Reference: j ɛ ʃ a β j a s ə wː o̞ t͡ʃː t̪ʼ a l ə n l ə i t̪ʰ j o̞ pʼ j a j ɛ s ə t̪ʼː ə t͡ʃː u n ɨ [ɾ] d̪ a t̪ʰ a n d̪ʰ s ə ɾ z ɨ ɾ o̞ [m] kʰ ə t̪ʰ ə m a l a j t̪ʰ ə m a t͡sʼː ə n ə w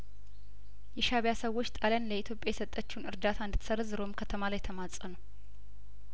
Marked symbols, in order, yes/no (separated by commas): yes, yes